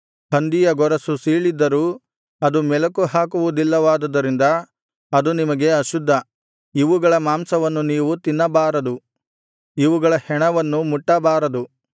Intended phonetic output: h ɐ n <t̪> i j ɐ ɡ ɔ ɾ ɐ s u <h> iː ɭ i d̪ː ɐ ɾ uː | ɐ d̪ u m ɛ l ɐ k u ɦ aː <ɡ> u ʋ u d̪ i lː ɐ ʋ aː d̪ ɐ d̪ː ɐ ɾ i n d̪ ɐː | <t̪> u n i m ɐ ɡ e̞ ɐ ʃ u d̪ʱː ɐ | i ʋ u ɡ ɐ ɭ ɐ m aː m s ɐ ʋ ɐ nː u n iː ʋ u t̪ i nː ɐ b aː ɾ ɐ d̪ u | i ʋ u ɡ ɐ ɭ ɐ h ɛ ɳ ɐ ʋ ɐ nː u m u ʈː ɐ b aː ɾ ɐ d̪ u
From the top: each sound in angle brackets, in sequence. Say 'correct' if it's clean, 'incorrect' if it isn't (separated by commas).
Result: incorrect, incorrect, incorrect, incorrect